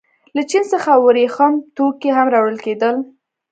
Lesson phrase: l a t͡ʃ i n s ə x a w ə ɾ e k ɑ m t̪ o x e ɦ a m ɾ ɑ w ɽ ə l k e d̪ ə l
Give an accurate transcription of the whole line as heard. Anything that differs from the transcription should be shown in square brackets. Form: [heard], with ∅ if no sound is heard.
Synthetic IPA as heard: l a t͡ʃ i n s ə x a w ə ɾ e [x] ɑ m t̪ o [k] e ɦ a m ɾ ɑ w ɽ ə l k e d̪ ə l